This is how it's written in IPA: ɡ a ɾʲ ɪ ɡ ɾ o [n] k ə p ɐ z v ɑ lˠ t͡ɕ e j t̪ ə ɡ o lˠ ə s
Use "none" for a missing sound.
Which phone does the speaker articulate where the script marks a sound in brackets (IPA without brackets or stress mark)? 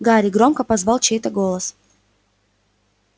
m